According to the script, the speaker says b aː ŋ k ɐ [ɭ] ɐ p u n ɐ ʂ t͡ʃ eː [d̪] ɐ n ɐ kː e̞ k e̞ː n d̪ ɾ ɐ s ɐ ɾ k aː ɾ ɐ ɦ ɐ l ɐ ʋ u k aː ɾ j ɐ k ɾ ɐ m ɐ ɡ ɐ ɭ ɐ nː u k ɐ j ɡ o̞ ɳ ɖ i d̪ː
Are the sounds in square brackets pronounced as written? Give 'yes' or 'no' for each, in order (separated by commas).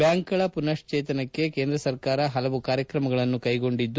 yes, no